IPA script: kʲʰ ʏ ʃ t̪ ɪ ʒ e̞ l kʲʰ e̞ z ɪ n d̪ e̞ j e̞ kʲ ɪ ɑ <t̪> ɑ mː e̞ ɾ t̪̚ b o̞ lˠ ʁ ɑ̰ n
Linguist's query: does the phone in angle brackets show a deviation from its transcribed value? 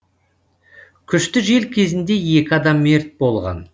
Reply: yes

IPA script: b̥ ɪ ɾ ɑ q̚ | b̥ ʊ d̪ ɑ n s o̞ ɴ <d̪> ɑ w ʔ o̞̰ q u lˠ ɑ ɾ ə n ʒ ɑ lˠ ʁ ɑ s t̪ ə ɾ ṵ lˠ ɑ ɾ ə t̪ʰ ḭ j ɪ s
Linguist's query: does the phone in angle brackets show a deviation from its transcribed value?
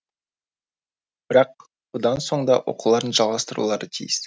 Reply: no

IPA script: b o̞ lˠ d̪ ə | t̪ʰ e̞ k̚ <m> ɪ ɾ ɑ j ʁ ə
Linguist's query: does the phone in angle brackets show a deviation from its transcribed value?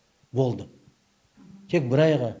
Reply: yes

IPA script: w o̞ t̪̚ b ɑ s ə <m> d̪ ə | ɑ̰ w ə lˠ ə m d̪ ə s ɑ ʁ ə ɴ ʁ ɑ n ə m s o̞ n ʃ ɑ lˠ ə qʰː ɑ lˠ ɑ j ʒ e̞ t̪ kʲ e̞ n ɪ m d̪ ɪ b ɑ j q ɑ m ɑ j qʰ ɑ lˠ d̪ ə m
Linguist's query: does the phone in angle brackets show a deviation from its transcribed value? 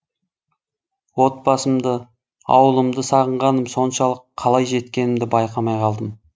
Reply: no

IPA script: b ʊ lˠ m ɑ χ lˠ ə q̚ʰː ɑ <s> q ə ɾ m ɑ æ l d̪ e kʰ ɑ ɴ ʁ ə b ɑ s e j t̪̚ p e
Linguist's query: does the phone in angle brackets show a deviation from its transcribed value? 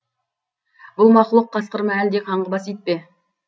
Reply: no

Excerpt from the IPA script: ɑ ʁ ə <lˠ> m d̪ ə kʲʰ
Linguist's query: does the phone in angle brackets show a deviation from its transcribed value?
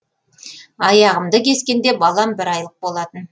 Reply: yes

